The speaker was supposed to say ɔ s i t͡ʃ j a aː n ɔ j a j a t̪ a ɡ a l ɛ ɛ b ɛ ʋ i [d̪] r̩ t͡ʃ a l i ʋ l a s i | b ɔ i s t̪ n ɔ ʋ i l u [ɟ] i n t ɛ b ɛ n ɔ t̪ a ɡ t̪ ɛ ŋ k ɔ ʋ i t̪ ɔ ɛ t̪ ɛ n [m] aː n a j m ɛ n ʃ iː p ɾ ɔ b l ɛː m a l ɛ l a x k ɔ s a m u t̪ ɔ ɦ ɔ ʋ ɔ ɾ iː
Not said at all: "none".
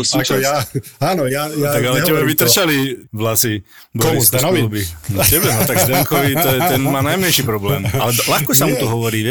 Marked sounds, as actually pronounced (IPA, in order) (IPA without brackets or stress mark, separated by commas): t̪, b, m